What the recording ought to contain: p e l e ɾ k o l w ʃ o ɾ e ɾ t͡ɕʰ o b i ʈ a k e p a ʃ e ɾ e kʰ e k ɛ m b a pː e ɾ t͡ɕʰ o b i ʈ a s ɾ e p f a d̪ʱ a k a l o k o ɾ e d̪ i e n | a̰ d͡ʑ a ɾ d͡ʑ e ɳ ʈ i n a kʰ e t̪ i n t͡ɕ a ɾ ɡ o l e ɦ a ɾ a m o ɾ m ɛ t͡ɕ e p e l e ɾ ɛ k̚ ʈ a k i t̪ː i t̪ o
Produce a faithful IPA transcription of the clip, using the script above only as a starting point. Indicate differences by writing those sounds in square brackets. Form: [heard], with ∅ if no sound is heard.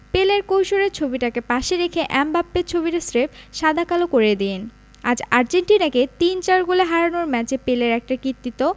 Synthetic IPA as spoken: p e l e ɾ k o [∅] w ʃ o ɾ e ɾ t͡ɕʰ o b i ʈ a k e p a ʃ e ɾ e kʰ e [ʔ] ɛ m b a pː e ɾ t͡ɕʰ o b i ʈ a s ɾ e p [ʃ] a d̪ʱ a k a l o k o ɾ e d̪ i e n | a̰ d͡ʑ a ɾ d͡ʑ e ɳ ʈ i n a [k] e t̪ i n t͡ɕ a ɾ ɡ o l e ɦ a ɾ a [n] o ɾ m ɛ t͡ɕ e p e l e ɾ ɛ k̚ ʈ a k i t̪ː i t̪ o